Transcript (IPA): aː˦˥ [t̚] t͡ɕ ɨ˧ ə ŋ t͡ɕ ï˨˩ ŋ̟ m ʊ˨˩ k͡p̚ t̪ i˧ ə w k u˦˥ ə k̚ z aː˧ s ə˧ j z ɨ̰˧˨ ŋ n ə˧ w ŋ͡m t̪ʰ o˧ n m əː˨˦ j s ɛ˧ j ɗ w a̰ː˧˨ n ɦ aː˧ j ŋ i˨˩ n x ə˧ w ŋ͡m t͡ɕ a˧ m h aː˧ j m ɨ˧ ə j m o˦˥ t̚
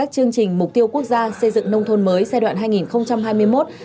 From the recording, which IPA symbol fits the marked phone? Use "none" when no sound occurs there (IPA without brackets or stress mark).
k̚